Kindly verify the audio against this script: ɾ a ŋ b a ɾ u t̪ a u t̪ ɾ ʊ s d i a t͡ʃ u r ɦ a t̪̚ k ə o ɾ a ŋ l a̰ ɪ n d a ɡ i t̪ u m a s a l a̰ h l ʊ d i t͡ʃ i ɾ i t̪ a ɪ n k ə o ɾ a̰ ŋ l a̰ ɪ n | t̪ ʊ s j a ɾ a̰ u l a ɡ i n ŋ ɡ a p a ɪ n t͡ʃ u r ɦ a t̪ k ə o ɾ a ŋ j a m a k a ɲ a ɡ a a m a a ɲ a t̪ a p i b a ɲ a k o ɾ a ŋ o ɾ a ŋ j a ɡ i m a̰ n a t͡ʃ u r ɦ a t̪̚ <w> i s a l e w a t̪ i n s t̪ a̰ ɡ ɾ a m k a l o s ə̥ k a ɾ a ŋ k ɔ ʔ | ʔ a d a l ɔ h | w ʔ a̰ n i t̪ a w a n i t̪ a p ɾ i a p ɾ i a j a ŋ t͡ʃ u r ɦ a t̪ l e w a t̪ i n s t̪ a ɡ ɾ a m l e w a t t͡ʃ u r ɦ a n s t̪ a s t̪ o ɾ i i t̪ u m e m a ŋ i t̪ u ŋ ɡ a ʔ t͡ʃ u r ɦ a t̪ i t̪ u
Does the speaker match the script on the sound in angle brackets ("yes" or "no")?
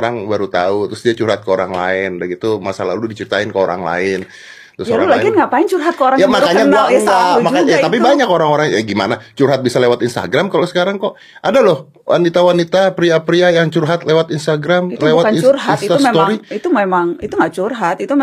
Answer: no